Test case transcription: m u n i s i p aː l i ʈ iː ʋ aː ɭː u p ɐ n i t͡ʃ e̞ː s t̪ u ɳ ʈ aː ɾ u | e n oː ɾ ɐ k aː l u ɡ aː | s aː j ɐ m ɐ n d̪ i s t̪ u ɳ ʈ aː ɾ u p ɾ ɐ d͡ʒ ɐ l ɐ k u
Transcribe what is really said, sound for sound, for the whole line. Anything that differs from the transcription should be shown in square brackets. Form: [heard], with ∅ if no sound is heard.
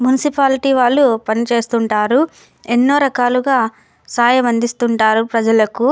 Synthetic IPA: m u n i s i p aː l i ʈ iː ʋ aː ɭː u p ɐ n i t͡ʃ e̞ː s t̪ u ɳ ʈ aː ɾ u | e [nː] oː ɾ ɐ k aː l u ɡ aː | s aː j ɐ m ɐ n d̪ i s t̪ u ɳ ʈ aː ɾ u p ɾ ɐ d͡ʒ ɐ l ɐ k u

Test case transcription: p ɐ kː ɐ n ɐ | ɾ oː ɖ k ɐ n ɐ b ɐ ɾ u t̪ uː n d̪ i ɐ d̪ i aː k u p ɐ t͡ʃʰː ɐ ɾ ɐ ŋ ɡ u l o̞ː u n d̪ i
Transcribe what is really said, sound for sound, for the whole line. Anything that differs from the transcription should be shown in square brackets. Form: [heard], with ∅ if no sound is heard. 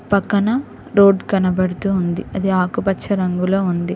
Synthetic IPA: p ɐ kː ɐ n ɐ | ɾ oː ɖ k ɐ n ɐ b ɐ [ɽ] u t̪ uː n d̪ i ɐ d̪ i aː k u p ɐ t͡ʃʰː ɐ ɾ ɐ ŋ ɡ u l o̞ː u n d̪ i

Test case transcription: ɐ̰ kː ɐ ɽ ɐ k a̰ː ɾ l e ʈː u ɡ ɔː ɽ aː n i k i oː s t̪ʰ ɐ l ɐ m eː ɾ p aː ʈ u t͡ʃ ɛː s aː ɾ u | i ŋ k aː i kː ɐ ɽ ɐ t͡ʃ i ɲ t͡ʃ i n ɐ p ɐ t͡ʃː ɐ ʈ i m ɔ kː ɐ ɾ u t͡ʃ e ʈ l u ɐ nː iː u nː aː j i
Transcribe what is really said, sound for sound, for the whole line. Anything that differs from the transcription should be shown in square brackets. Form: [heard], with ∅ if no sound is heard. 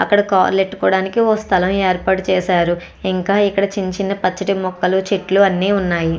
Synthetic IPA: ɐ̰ kː ɐ ɽ ɐ k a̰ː ɾ l e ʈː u [k] ɔː ɽ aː n i k i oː s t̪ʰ ɐ l ɐ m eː ɾ p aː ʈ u t͡ʃ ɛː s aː ɾ u | i ŋ k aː i kː ɐ ɽ ɐ t͡ʃ i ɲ t͡ʃ i n ɐ p ɐ t͡ʃː ɐ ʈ i m ɔ kː ɐ [l] u t͡ʃ e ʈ l u ɐ nː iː u nː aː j i

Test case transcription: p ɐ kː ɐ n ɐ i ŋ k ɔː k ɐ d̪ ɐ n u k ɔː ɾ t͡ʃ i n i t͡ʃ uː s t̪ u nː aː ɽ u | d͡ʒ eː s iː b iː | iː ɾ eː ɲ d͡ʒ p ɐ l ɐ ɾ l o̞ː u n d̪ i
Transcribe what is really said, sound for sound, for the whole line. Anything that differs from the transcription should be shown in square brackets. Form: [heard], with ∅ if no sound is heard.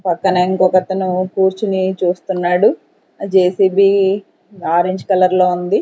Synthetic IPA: p ɐ kː ɐ n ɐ i ŋ k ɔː k ɐ [t̪] ɐ n u k [uː] ɾ t͡ʃ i n i t͡ʃ uː s t̪ u nː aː ɽ u | d͡ʒ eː s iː b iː | [aː] ɾ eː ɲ d͡ʒ [k] ɐ l ɐ ɾ l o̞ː u n d̪ i

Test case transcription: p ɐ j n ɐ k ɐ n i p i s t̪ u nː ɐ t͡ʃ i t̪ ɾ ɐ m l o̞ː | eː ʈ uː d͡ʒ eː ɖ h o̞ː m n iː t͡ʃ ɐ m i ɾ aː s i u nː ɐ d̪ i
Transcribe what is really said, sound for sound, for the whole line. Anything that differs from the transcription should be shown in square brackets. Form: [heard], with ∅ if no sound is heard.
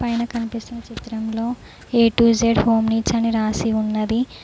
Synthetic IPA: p ɐ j n ɐ k ɐ n i p i s t̪ u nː ɐ t͡ʃ i t̪ ɾ ɐ m l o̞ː | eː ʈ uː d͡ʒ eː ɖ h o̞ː m n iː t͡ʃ ɐ [n] i ɾ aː s i u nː ɐ d̪ i

